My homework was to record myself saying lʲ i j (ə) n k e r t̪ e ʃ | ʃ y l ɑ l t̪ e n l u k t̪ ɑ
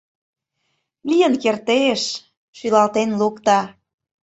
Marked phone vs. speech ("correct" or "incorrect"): correct